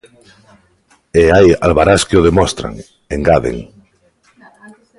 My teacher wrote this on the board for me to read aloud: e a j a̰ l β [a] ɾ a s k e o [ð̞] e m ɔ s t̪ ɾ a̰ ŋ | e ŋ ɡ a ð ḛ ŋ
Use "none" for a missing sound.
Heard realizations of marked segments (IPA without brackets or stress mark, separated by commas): a, ð̞